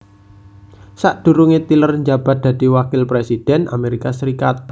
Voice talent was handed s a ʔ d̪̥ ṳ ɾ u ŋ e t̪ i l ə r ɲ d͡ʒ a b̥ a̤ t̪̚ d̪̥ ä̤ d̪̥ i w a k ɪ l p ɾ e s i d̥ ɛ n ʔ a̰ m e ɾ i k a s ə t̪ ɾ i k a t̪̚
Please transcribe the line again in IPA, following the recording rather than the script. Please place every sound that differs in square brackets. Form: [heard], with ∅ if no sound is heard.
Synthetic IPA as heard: s a ʔ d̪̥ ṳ ɾ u ŋ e t̪ i l ə r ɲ d͡ʒ a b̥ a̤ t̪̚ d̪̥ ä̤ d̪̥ i w a k ɪ l p ɾ e s i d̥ ɛ n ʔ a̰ m e ɾ i k a s ə [∅] ɾ i k a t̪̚